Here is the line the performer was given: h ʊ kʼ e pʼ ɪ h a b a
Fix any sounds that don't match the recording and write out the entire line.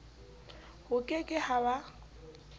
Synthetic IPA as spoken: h ʊ kʼ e kʼ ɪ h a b a